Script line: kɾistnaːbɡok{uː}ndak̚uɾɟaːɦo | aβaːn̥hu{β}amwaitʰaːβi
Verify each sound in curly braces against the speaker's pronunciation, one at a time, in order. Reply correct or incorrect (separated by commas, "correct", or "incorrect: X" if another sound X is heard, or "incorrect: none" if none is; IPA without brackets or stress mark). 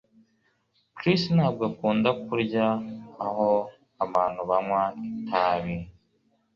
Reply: correct, correct